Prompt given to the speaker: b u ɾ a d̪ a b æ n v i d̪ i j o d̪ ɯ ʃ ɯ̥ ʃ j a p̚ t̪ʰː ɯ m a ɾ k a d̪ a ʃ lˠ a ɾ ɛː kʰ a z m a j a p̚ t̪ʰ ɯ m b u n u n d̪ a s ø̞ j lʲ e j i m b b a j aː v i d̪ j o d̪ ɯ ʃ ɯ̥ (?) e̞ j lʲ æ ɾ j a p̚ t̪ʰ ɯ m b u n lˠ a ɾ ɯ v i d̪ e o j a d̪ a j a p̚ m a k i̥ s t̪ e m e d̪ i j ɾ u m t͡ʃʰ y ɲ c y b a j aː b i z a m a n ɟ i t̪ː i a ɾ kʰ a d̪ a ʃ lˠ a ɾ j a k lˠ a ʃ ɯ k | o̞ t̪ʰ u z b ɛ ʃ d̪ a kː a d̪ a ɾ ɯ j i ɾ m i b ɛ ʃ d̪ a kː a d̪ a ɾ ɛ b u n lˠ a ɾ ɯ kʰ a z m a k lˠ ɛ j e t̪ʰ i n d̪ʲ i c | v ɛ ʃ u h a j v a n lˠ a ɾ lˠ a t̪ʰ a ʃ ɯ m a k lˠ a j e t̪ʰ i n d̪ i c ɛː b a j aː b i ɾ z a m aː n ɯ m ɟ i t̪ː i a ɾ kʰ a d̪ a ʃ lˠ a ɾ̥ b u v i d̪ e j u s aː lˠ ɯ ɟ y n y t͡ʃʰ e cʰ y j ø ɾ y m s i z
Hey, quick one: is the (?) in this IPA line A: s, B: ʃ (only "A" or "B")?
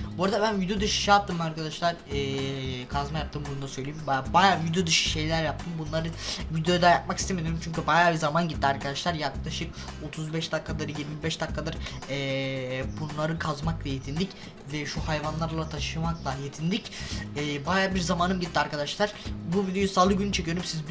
B